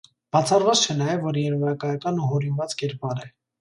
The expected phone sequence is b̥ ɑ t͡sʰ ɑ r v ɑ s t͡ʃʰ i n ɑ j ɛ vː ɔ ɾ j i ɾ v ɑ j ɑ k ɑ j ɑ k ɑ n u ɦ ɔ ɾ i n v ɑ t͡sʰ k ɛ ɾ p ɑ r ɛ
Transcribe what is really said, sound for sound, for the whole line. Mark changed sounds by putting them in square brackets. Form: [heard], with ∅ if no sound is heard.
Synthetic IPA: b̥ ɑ t͡sʰ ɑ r v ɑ [t͡s] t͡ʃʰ [ɛ] n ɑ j ɛ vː ɔ ɾ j [ɛ] ɾ v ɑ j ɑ k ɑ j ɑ k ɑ n u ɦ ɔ ɾ i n v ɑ [t͡s] k ɛ ɾ p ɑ [ɾ] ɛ